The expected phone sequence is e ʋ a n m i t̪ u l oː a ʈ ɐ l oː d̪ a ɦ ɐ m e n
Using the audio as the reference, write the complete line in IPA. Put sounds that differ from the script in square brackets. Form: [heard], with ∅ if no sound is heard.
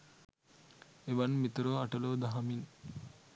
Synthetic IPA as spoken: e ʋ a n m i t̪ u [ɾ] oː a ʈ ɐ l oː d̪ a ɦ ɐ m [i] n